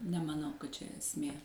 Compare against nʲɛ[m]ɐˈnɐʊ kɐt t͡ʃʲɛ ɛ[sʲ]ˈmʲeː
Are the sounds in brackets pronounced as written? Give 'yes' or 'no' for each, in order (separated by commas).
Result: yes, yes